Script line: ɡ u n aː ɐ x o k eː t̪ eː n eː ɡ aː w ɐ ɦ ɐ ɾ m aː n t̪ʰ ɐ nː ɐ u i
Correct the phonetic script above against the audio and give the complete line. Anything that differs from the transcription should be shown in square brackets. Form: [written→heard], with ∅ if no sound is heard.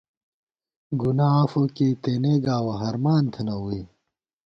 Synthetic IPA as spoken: ɡ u n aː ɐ [x→f] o k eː t̪ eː n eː ɡ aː w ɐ ɦ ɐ ɾ m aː n t̪ʰ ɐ [nː→n] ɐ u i

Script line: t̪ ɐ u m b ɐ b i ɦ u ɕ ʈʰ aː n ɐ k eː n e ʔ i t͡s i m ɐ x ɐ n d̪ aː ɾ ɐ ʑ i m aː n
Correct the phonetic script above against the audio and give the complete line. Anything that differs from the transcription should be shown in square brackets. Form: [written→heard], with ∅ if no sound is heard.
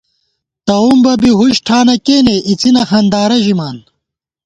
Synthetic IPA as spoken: t̪ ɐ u m b ɐ b i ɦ u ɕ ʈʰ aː n ɐ k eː n e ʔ i t͡s i [m→n] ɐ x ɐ n d̪ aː ɾ ɐ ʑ i m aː n

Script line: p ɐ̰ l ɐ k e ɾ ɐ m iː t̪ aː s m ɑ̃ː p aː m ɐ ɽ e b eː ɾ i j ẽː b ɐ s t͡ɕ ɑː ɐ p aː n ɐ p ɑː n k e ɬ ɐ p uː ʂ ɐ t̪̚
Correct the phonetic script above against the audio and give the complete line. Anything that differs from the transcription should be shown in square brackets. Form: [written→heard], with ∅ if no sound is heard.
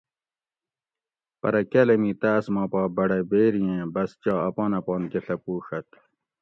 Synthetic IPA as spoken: p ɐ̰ [l→ɾ] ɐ k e [ɾ→l] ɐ m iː t̪ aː s m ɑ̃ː p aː [m→b] ɐ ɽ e b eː ɾ i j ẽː b ɐ s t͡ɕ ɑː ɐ p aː n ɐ p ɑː n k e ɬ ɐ p uː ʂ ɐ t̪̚

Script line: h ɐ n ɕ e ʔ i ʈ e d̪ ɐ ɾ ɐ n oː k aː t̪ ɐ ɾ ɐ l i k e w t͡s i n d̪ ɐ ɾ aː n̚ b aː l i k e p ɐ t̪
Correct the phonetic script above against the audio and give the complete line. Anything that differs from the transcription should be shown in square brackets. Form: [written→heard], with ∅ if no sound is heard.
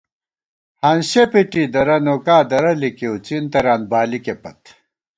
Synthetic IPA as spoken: h ɐ n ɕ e [ʔ→p] i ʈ [e→i] d̪ ɐ ɾ ɐ n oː k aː [t̪→d̪] ɐ ɾ ɐ l i k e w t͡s i n [d̪→t̪] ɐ ɾ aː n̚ b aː l i k e p ɐ t̪

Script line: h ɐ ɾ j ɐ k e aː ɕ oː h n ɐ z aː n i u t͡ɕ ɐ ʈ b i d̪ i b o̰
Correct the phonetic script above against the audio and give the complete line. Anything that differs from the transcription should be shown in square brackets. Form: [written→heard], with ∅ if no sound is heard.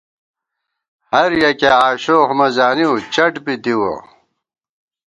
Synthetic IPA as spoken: h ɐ ɾ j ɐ k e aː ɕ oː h [n→m] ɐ z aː n i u t͡ɕ ɐ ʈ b i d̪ i [b→w] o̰

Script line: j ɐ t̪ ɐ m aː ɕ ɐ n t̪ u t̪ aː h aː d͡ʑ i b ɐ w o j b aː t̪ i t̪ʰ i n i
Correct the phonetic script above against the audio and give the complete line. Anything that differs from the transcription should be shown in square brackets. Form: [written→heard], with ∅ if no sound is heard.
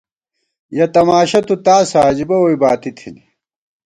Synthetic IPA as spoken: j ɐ t̪ ɐ m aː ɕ ɐ [n→∅] t̪ u t̪ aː [h→s] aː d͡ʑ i b ɐ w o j b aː t̪ i t̪ʰ i n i

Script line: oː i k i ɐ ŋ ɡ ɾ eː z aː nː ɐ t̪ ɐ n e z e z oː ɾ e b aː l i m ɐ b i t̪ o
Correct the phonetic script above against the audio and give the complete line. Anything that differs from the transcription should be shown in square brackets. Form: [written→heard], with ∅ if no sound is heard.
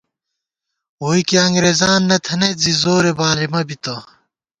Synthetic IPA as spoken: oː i k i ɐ ŋ ɡ ɾ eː z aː nː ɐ [t̪→t̪ʰ] ɐ n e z [e→i] z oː ɾ e b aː l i m ɐ b i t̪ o

